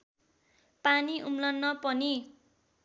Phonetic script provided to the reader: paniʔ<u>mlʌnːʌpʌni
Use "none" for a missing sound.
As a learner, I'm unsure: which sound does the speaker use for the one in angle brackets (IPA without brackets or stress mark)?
u